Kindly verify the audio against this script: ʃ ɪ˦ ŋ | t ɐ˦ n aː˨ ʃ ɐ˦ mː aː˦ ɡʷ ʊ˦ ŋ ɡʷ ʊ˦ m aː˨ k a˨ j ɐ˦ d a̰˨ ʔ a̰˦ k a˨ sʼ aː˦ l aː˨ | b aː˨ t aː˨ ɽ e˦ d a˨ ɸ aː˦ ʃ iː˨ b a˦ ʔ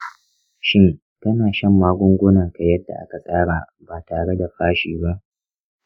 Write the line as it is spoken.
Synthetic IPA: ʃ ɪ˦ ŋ | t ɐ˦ n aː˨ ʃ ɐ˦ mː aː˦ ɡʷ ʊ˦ ŋ ɡʷ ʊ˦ n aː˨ k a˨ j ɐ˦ d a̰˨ ʔ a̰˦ k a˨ sʼ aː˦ ɽ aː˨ | b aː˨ t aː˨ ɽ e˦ d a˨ ɸ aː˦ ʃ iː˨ b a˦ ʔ